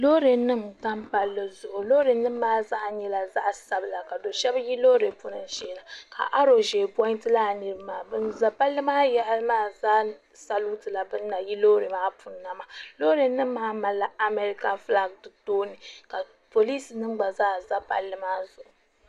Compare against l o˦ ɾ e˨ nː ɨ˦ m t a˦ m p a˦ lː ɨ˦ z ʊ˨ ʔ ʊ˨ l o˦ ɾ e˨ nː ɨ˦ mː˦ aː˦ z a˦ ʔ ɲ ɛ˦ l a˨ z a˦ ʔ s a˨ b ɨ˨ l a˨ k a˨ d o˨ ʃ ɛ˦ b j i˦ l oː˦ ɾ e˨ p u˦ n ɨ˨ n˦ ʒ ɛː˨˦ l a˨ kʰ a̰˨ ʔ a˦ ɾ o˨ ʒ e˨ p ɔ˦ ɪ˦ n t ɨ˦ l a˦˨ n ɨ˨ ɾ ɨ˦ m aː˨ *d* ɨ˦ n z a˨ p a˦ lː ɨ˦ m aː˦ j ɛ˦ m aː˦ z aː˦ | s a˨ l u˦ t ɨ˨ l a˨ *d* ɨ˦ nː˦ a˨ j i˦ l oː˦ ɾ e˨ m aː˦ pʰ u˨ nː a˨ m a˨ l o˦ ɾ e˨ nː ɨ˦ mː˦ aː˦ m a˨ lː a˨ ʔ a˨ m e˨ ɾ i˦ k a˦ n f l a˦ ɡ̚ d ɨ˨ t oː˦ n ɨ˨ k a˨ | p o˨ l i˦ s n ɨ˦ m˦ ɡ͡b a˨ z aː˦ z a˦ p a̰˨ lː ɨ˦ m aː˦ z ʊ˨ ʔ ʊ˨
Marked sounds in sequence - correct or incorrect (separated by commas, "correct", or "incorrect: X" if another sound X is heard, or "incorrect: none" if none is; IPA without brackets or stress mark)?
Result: incorrect: b, incorrect: b